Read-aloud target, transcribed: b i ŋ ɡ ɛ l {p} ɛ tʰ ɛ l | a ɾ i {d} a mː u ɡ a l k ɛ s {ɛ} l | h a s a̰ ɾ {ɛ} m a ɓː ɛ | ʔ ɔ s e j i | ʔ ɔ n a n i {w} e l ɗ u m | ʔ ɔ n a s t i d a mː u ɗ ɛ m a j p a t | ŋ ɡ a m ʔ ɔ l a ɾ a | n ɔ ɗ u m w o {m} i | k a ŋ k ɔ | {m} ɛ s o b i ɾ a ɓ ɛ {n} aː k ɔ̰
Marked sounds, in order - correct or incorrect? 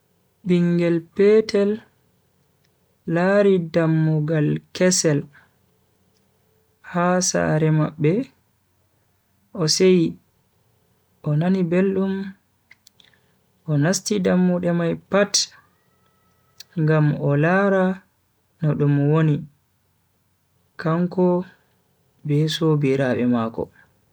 correct, correct, correct, correct, incorrect, incorrect, incorrect, incorrect

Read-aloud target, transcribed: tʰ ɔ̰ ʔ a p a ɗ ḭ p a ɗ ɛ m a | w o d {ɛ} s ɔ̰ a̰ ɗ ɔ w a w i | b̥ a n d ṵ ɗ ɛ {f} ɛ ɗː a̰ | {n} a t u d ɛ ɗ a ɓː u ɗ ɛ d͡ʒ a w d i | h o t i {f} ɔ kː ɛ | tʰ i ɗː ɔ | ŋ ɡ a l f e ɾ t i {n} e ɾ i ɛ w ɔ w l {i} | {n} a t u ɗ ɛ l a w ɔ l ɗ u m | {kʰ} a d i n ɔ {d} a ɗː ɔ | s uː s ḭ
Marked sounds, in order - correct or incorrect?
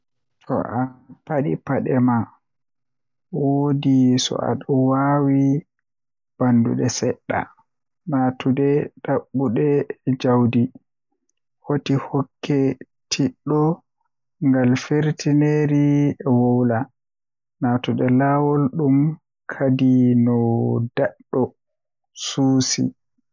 incorrect, incorrect, correct, incorrect, correct, incorrect, correct, correct, correct

